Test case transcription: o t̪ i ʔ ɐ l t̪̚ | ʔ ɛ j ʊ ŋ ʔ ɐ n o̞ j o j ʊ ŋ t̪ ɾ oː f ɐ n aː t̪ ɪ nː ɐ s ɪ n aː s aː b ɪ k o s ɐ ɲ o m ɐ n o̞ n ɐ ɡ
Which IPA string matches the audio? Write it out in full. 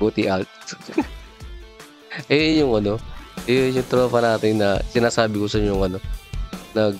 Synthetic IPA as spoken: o t̪ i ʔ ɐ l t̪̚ | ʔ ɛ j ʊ ŋ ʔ ɐ n o̞ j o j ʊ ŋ t̪ ɾ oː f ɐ n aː t̪ ɪ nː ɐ s ɪ n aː s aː b ɪ k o s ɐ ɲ o ŋ ɐ n o̞ n ɐ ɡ